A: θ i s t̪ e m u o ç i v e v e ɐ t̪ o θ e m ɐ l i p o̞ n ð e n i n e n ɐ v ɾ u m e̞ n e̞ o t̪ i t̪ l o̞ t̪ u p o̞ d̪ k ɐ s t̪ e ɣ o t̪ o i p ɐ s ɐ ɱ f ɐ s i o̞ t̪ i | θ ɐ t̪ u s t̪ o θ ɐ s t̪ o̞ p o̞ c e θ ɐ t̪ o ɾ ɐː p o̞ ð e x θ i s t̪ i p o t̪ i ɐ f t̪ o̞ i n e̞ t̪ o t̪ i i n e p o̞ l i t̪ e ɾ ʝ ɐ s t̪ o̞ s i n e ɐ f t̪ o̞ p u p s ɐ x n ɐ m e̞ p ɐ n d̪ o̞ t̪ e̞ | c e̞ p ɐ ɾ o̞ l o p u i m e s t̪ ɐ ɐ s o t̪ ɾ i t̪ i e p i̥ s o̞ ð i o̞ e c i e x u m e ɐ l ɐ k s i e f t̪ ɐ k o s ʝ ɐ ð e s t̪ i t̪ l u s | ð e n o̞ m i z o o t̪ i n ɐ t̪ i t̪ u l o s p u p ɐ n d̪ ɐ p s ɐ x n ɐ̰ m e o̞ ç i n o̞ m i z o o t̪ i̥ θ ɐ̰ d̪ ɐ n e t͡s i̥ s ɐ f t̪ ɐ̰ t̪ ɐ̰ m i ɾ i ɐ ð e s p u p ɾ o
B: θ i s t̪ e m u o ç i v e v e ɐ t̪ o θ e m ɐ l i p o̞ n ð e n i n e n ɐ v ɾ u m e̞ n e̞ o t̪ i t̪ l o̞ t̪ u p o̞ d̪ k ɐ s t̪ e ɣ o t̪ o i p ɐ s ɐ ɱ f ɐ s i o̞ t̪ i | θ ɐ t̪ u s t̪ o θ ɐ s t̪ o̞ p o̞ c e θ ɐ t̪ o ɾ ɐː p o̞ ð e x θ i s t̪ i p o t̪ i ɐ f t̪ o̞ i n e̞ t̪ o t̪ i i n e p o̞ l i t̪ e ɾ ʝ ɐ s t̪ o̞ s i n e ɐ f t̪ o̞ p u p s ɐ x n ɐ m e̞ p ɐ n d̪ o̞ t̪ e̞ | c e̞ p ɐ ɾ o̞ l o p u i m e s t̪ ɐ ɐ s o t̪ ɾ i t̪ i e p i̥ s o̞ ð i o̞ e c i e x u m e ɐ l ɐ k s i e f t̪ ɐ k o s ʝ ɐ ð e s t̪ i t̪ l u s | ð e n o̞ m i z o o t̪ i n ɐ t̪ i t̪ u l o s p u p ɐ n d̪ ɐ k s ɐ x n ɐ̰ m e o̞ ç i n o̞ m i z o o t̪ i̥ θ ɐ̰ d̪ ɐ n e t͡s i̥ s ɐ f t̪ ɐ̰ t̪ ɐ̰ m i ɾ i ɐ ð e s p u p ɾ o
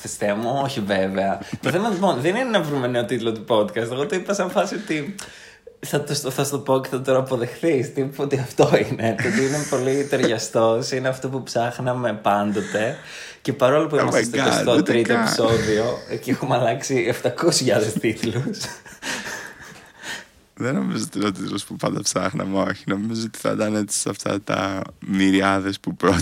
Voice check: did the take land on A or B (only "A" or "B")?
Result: A